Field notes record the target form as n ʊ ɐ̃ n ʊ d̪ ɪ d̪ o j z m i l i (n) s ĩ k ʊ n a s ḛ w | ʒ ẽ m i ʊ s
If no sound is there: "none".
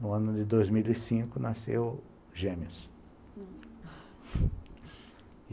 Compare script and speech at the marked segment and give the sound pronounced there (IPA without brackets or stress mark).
none